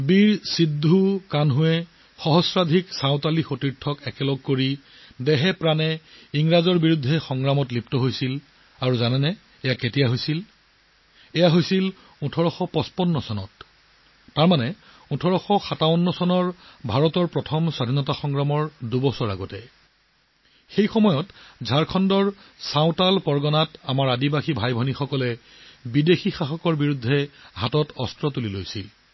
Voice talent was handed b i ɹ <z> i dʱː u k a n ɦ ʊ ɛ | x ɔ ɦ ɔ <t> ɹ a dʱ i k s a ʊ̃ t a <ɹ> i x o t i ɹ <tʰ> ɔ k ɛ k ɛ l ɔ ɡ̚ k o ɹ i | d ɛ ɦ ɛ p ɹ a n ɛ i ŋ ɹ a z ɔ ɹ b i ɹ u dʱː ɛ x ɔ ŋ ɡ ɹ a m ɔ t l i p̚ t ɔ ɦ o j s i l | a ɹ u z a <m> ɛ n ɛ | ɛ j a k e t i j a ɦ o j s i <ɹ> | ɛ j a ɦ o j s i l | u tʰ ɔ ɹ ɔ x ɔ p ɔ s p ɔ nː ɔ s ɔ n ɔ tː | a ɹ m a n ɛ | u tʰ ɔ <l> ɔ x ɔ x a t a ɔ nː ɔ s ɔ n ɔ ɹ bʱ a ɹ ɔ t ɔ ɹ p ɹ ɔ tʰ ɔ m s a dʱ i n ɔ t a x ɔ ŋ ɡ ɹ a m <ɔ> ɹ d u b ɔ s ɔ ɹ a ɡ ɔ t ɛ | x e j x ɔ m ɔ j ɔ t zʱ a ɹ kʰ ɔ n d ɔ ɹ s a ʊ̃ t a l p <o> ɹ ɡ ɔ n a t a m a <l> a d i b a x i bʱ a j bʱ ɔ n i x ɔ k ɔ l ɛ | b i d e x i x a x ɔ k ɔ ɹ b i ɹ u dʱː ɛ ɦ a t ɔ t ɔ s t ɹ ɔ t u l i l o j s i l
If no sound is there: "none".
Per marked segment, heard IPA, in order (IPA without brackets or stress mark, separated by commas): s, s, l, tʰ, n, l, ɹ, ɔ, ɔ, ɹ